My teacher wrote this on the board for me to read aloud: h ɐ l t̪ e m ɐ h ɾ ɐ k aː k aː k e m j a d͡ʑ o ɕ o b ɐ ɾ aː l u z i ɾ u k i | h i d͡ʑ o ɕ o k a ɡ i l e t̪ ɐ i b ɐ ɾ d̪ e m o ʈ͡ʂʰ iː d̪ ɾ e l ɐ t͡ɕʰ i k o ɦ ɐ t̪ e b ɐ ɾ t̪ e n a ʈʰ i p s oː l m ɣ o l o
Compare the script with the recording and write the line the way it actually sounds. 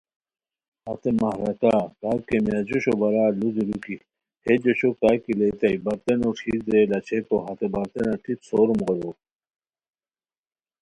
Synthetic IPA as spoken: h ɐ t̪ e m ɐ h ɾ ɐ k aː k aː k e m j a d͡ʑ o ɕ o b ɐ ɾ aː l u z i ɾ u k i | h e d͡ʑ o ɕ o k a k i l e t̪ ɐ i b ɐ ɾ t̪ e n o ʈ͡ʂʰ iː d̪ ɾ e l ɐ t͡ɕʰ e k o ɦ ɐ t̪ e b ɐ ɾ t̪ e n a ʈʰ i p s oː ɾ m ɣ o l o

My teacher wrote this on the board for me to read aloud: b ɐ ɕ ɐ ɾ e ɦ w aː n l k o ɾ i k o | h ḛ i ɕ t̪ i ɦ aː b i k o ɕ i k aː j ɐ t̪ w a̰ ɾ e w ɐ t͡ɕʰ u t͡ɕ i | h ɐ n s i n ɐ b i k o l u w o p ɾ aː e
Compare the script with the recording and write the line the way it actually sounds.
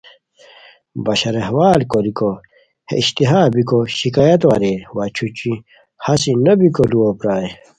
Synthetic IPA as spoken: b ɐ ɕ ɐ ɾ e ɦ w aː l k o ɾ i k o | h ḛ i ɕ t̪ i ɦ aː b i k o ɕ i k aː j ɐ t̪ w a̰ ɾ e w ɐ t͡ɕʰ u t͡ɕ i | h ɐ s i n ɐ b i k o l u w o p ɾ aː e

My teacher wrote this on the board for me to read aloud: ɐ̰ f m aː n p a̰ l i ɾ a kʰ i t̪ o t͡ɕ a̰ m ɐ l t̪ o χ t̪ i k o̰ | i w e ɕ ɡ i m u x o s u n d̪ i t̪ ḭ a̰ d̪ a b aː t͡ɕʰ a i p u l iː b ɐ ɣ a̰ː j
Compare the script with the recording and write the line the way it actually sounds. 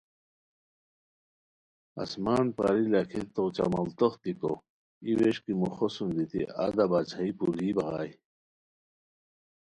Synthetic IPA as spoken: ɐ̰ s m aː n p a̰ ɾ i l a kʰ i t̪ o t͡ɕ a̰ m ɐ l t̪ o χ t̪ i k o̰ | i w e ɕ k i m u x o s u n d̪ i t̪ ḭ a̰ d̪ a b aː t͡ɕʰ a i p u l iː b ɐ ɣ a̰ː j

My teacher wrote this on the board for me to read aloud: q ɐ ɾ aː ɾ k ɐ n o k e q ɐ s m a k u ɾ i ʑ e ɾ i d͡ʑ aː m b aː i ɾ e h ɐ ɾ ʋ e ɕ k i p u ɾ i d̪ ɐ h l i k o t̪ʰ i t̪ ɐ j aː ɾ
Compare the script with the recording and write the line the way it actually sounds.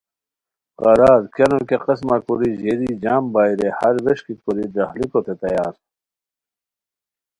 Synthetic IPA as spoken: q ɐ ɾ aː ɾ k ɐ n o k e q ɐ s m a k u ɾ i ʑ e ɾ i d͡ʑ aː m b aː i ɾ e h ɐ ɾ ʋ e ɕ k i k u ɾ i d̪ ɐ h l i k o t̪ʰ e t̪ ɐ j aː ɾ

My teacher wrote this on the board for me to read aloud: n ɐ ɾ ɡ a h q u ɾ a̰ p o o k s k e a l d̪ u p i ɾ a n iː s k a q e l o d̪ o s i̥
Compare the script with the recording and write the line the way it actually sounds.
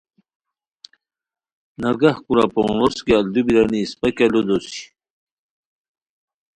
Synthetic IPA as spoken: n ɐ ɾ ɡ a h k u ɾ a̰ p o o s k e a l d̪ u b i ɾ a n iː s p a k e l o d̪ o s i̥

